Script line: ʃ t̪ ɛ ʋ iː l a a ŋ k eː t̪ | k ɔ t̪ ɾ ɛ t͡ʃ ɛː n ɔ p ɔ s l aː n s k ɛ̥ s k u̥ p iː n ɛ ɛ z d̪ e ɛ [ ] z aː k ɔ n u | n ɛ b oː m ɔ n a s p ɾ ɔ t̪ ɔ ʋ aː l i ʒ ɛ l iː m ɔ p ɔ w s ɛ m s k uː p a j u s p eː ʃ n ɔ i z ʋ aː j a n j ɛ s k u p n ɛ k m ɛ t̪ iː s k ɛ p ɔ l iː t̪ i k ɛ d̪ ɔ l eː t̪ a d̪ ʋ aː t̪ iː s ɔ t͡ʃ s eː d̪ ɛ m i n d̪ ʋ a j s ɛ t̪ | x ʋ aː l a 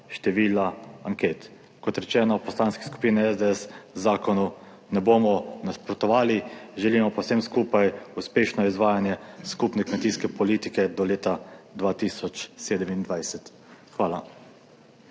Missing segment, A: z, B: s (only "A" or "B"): B